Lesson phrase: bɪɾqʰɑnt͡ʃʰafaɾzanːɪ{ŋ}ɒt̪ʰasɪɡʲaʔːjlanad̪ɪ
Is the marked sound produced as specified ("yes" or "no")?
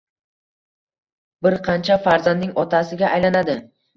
yes